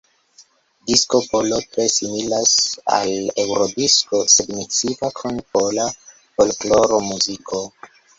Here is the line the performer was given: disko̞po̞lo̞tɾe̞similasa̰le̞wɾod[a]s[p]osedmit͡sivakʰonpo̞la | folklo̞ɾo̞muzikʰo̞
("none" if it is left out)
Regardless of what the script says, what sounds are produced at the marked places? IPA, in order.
i, k

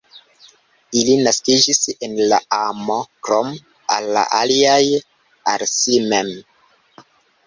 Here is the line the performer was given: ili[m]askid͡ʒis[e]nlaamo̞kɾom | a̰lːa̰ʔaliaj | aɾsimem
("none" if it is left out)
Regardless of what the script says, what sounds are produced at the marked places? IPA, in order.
n, e

